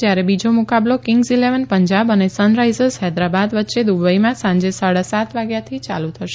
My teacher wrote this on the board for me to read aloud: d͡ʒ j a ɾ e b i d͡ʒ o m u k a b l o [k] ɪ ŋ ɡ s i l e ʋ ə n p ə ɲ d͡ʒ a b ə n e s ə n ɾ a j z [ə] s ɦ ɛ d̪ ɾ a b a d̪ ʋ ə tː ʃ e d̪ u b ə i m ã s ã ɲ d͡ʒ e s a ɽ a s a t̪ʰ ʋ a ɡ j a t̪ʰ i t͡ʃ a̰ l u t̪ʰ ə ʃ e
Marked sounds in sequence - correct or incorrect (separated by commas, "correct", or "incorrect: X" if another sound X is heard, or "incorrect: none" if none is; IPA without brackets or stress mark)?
correct, correct